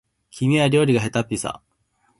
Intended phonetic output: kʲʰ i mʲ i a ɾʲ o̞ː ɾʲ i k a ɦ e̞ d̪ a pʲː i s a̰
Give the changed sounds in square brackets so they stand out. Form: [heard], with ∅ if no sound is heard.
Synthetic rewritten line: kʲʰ i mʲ i a ɾʲ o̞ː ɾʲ i [ɡ] a ɦ e̞ [t̪] a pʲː i s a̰

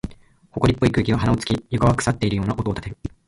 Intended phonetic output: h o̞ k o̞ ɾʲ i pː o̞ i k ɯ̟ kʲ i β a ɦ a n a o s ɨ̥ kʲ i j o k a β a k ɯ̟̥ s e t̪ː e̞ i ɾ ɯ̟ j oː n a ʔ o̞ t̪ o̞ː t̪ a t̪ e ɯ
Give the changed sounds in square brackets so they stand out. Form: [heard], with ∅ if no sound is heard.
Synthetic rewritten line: h o̞ k o̞ ɾʲ i pː o̞ i k [ɯ̟ː] kʲ i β a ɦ a n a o [t͡s] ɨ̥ kʲ i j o k a β a k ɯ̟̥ s [a] t̪ː e̞ i ɾ ɯ̟ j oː n a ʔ o̞ t̪ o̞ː t̪ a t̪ e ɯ

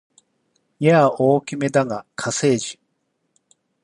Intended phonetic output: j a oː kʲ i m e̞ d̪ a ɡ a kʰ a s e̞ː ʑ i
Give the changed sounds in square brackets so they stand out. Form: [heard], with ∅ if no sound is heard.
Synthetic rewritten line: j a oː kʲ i m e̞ d̪ a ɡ a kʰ a s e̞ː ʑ i

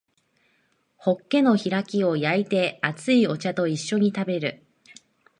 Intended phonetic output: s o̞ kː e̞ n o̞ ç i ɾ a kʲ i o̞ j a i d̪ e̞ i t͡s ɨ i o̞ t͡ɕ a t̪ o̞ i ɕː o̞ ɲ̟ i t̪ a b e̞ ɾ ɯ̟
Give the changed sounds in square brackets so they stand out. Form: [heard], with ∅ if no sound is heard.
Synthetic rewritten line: [h] o̞ kː e̞ n o̞ ç i ɾ a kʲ i o̞ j a i [t̪] e̞ [a] t͡s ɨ i o̞ t͡ɕ a t̪ o̞ i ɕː o̞ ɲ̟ i t̪ a b e̞ ɾ ɯ̟

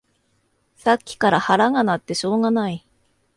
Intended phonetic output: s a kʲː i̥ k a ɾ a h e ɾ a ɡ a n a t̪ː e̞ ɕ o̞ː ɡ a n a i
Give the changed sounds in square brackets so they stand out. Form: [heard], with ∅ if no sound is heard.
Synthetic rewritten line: s a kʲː i̥ k a ɾ a h [a] ɾ a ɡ a n a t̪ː e̞ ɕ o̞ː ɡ a n a i

